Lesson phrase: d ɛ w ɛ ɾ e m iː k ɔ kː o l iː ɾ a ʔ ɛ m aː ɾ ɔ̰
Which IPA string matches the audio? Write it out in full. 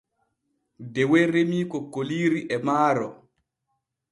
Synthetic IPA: d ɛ w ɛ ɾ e m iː k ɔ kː o l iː ɾ i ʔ ɛ m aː ɾ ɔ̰